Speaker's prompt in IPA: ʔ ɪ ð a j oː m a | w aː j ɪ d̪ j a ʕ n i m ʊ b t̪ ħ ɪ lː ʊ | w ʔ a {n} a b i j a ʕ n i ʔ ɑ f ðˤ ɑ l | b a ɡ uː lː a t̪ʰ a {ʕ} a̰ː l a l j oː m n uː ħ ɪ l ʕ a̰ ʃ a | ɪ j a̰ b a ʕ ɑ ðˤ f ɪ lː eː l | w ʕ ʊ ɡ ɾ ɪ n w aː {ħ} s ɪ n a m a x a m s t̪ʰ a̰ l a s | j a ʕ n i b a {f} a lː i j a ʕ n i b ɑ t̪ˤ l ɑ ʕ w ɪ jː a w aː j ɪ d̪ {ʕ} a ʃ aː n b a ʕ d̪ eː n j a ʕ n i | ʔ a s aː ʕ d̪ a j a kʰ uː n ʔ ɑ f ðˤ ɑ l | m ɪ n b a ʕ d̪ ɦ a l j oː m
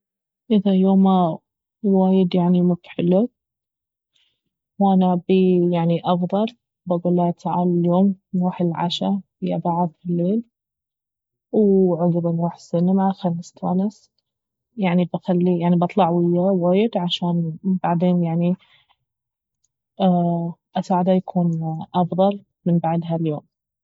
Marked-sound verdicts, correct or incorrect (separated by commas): correct, correct, correct, incorrect, correct